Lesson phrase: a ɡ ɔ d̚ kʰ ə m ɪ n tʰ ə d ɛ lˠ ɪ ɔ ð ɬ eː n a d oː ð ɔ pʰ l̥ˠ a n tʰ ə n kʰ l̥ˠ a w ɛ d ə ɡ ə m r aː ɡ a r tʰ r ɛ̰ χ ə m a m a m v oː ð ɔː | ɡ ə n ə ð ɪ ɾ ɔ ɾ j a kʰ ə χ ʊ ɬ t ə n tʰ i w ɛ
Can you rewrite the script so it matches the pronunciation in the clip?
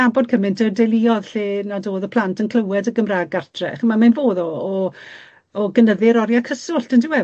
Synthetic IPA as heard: a b ɔ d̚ kʰ ə m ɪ n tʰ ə d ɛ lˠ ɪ ɔ ð ɬ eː n a d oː ð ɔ pʰ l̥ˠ a n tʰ ə n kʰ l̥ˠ ə w ɛ d ə ɡ ə m r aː ɡ a r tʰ r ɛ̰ χ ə m a m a n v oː ð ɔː | ɡ ə n ə ð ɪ ɾ ɔ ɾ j a kʰ ə s ʊ ɬ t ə n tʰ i w ɛ